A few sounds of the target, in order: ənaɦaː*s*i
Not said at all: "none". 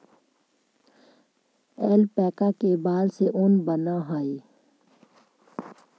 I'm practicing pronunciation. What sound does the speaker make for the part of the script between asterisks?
none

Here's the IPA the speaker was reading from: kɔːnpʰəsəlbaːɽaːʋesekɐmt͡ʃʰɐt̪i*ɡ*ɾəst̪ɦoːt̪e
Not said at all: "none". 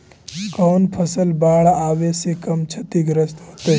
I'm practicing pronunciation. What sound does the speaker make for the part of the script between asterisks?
ɡ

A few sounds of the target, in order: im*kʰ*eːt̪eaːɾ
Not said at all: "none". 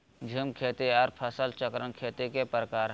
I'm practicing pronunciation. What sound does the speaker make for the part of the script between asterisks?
kʰ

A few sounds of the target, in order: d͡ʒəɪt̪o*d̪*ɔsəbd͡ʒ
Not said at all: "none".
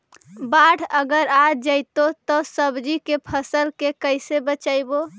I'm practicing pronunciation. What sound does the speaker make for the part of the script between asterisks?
t̪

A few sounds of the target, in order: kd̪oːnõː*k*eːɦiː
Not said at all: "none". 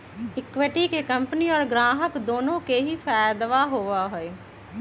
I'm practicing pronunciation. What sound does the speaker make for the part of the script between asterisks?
k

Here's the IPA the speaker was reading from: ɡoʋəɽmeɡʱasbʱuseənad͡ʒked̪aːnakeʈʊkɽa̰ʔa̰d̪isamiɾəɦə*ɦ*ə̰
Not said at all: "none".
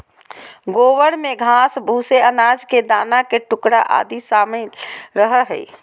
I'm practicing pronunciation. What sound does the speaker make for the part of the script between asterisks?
ɦ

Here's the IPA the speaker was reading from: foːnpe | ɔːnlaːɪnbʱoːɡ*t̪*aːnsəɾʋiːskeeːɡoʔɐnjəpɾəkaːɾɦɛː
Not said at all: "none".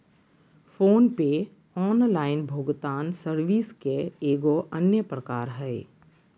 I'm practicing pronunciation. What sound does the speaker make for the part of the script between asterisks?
t̪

